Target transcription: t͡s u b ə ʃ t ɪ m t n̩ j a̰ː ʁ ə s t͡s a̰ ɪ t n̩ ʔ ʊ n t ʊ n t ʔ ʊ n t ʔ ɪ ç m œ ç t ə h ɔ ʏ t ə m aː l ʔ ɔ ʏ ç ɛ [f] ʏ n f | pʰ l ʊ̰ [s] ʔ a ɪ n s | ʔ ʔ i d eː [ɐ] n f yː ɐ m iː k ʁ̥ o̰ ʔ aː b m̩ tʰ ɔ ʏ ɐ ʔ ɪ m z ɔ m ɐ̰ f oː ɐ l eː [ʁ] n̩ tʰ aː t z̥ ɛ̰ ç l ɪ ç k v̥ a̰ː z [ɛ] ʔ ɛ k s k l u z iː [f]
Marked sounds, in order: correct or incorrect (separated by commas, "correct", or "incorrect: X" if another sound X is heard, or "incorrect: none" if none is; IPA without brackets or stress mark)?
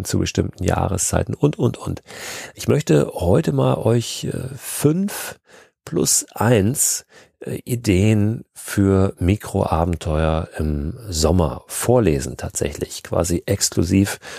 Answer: correct, correct, incorrect: ə, incorrect: z, incorrect: i, correct